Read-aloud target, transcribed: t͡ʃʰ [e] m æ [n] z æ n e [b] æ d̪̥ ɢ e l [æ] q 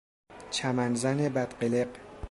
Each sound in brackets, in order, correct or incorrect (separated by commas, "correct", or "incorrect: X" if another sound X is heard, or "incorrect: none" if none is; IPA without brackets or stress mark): incorrect: æ, correct, correct, incorrect: e